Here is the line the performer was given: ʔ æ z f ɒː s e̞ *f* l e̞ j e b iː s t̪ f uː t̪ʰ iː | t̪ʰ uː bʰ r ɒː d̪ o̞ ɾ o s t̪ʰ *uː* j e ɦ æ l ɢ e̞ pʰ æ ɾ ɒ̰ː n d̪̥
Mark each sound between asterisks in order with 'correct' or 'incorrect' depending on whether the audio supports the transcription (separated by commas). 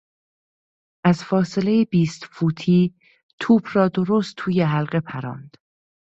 incorrect, correct